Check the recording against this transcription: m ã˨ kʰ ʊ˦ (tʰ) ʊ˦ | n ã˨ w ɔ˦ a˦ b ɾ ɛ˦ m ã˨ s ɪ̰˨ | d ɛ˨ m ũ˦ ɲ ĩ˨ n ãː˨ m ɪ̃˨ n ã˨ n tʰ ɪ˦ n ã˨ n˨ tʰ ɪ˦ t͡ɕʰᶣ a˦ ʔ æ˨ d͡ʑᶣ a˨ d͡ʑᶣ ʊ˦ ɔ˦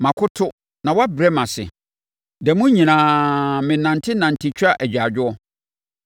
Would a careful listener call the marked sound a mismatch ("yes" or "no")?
no